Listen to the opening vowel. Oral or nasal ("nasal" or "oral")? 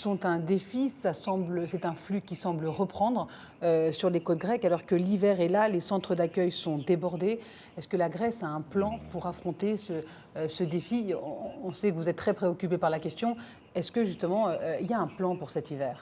nasal